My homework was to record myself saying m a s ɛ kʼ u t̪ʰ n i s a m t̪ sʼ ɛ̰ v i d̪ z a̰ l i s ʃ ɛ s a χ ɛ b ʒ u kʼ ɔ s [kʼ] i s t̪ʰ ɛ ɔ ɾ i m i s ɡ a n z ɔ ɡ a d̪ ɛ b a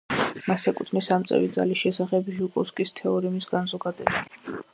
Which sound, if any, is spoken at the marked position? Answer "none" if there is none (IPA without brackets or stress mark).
kʼ